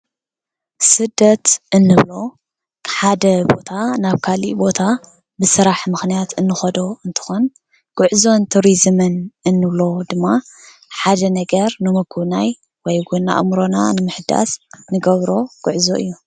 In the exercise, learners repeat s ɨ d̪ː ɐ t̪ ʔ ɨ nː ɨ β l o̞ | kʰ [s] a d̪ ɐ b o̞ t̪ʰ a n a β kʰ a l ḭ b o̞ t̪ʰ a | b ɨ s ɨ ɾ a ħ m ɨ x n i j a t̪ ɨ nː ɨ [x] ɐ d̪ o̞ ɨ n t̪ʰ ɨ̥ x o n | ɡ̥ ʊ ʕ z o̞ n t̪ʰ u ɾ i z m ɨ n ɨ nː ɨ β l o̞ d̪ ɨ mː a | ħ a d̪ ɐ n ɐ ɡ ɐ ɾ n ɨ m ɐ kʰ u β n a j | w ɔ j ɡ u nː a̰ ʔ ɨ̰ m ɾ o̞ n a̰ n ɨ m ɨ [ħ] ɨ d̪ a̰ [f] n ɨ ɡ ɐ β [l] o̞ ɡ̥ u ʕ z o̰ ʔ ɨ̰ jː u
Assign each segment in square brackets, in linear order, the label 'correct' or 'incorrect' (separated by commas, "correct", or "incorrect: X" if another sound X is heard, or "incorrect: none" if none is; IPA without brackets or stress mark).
incorrect: ħ, correct, correct, incorrect: s, incorrect: ɾ